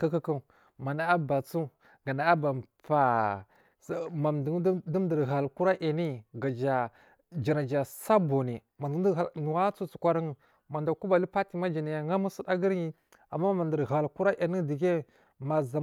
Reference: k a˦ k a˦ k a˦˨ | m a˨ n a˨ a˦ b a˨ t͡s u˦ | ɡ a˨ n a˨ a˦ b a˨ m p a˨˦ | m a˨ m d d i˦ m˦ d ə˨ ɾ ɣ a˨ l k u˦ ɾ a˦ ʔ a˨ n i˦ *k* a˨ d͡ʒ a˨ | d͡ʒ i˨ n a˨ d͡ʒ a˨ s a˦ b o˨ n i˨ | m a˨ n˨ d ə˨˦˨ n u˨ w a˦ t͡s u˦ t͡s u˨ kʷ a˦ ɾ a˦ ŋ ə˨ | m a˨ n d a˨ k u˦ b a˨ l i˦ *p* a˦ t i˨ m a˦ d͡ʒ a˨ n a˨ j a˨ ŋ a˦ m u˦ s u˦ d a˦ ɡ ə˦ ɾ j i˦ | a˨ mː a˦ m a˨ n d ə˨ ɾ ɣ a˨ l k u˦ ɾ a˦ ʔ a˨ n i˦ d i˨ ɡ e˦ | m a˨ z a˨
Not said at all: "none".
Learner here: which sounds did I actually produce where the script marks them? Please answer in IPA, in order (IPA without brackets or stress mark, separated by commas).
ɡ, p